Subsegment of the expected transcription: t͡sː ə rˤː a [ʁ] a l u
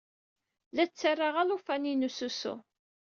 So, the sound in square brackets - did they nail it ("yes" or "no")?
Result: yes